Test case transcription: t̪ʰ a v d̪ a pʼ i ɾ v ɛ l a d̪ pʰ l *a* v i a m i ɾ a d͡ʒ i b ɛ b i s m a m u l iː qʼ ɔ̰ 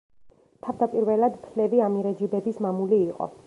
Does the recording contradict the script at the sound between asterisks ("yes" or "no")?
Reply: yes